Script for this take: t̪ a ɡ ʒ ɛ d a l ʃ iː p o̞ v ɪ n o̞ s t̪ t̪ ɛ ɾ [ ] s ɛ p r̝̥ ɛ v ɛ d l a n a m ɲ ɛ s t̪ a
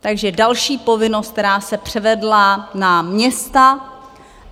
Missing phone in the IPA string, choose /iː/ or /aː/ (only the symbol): aː